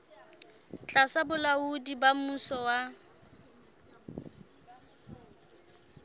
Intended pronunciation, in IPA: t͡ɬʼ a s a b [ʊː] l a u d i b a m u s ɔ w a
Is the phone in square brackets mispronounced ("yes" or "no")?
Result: yes